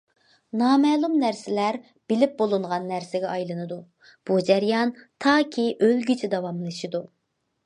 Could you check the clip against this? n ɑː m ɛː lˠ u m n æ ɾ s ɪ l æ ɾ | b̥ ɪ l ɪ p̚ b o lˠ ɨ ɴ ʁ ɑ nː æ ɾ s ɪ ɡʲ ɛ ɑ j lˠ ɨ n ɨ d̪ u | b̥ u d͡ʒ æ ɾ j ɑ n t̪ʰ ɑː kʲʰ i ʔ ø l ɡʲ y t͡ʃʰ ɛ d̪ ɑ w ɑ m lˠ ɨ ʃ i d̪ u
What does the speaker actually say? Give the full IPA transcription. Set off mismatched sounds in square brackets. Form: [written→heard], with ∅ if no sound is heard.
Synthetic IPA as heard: n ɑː m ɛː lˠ u m n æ ɾ s ɪ l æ ɾ | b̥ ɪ l ɪ p̚ b o lˠ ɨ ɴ ʁ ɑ nː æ ɾ s ɪ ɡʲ ɛ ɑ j lˠ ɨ n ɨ d̪ u | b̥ u d͡ʒ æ ɾ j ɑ n t̪ʰ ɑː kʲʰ i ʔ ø l ɡʲ y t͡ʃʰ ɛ d̪ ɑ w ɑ m lˠ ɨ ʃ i d̪ u